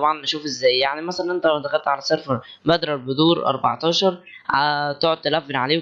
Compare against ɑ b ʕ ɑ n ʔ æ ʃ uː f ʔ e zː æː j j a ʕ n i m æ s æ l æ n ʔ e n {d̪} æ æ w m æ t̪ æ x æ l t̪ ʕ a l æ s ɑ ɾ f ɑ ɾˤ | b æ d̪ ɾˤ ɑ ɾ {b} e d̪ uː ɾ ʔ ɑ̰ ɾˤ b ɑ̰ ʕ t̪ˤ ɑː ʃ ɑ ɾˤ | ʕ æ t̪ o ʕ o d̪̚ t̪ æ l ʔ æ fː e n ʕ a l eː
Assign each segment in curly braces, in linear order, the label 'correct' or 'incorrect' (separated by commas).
incorrect, correct